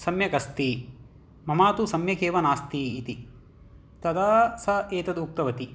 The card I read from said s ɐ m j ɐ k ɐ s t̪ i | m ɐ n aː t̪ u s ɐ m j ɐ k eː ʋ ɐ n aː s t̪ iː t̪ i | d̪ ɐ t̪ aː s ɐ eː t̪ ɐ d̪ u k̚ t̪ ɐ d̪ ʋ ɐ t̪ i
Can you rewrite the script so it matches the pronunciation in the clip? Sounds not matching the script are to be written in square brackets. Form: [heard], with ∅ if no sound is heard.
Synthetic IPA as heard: s ɐ m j ɐ k ɐ s t̪ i | m ɐ [m] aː t̪ u s ɐ m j ɐ k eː ʋ ɐ n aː s t̪ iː t̪ i | [t̪] ɐ [d̪] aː s ɐ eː t̪ ɐ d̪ u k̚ t̪ ɐ [∅] ʋ ɐ t̪ i